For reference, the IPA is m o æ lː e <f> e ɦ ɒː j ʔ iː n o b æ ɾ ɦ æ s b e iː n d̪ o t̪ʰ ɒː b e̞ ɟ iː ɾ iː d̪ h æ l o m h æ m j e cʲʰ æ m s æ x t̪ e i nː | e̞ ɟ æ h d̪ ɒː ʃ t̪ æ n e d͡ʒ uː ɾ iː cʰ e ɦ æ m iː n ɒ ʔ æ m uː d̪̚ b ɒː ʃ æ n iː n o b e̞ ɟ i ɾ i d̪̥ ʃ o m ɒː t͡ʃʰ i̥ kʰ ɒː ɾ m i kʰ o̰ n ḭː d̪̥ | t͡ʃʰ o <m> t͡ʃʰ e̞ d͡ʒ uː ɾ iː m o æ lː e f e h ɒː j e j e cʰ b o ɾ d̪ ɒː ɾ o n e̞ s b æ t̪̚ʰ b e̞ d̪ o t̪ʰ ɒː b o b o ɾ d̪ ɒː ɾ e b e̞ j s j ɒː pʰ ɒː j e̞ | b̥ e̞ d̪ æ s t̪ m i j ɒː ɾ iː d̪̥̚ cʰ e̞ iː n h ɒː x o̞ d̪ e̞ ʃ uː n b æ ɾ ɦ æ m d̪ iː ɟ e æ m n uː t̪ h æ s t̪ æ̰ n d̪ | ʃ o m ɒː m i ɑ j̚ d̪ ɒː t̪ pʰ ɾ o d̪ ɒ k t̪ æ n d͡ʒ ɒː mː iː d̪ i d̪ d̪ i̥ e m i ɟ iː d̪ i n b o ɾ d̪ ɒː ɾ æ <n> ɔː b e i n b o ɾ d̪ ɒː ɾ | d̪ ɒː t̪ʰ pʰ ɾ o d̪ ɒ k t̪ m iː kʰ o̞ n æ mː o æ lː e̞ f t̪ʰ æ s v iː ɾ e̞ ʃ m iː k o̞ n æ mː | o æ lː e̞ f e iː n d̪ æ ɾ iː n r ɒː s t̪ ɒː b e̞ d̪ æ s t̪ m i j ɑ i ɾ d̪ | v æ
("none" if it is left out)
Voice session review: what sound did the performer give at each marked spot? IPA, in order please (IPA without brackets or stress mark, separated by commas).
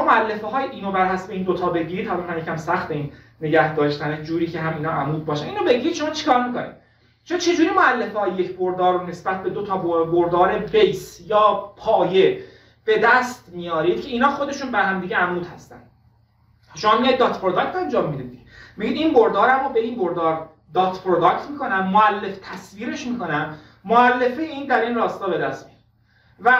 f, n, m